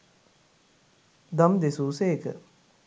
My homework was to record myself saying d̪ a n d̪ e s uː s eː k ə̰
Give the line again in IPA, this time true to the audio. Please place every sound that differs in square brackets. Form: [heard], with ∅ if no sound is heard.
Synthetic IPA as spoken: d̪ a [m] d̪ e s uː s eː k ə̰